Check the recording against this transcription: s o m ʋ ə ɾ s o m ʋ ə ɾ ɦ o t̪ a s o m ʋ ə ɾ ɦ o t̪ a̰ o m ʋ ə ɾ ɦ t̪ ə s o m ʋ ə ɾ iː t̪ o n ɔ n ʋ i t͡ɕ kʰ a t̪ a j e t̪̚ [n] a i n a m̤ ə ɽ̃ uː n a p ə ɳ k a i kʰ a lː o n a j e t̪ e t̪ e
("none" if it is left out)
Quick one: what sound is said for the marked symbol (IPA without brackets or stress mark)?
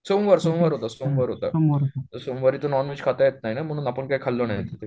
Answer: n